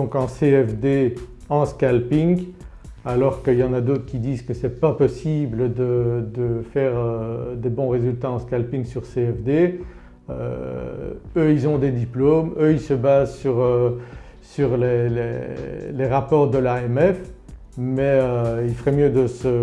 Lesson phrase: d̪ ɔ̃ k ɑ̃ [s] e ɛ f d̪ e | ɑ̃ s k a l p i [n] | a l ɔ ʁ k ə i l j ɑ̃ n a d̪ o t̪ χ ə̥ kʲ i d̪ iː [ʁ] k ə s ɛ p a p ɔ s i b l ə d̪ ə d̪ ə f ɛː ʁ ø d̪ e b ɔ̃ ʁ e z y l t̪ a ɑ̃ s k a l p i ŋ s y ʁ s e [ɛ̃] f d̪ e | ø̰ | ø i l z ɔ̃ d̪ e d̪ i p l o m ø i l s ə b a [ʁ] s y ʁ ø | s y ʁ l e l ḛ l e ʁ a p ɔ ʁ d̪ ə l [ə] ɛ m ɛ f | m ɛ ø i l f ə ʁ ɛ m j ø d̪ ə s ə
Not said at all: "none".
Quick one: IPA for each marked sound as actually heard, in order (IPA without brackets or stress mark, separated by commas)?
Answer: s, ŋ, z, ɛ, z, a